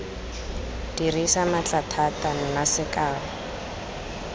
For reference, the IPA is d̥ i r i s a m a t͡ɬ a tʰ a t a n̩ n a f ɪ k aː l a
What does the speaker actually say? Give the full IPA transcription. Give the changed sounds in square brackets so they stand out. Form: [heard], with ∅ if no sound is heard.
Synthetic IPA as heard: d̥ i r i s a m a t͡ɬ a tʰ a t a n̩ n a [s] ɪ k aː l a